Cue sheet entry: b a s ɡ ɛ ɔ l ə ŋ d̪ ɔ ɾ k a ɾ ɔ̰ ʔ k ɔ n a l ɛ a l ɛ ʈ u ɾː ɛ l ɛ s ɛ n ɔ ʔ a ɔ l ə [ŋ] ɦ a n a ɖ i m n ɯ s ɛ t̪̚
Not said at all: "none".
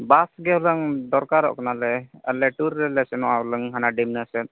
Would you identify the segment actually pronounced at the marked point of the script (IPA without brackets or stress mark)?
ŋ